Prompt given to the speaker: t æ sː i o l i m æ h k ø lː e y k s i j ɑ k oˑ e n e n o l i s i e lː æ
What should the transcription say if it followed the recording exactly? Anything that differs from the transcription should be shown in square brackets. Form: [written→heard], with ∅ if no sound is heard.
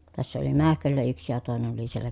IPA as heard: t æ sː [i→æ] o l i m æ h k ø lː [e→æ] y k s i j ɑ [k→t] oˑ e n e n o l i s i e lː æ